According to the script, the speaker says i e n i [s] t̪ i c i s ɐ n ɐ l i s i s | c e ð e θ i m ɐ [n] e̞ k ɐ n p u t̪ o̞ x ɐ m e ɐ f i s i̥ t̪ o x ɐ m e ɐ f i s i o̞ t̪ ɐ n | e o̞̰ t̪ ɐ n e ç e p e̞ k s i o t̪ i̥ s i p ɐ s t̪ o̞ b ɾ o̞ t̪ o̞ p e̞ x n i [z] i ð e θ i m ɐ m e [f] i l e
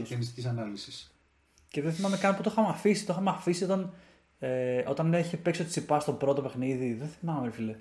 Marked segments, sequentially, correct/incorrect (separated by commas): correct, incorrect, incorrect, correct